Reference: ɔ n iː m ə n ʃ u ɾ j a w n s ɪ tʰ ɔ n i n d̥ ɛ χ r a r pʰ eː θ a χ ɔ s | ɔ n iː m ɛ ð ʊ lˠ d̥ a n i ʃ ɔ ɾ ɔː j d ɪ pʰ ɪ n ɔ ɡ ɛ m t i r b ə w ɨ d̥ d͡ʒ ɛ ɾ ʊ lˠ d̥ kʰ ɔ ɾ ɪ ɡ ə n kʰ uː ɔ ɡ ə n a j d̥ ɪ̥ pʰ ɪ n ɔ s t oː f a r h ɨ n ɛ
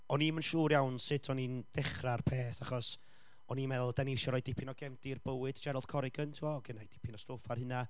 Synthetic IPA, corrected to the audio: ɔ n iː m ə n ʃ uː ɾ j a w n s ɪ tʰ ɔ n i n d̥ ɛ χ r a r pʰ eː θ a χ ɔ s | ɔ n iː m ɛ ð ʊ lˠ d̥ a n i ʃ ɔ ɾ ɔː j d ɪ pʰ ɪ n ɔ ɡ ɛ m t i r b ə w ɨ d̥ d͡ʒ ɛ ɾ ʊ lˠ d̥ kʰ ɔ ɾ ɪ ɡ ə n tʰ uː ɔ ɡ ə n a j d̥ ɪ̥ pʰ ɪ n ɔ s t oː f a r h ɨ n a